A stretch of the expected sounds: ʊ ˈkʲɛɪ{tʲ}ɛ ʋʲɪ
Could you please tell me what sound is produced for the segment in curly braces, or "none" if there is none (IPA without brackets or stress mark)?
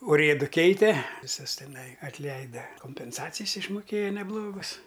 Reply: tʲ